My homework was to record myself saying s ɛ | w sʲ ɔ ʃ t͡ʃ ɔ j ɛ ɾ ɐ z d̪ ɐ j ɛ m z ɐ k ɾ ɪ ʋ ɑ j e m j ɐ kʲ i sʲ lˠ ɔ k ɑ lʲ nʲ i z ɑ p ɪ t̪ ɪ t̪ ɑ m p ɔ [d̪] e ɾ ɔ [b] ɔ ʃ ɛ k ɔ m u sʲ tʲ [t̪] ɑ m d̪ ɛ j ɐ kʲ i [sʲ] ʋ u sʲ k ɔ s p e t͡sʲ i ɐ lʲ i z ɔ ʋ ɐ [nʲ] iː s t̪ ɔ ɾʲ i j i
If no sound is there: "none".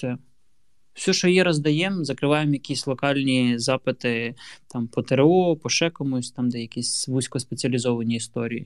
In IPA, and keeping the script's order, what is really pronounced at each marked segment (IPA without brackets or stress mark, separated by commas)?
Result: t̪, p, t̪, sʲ, nʲ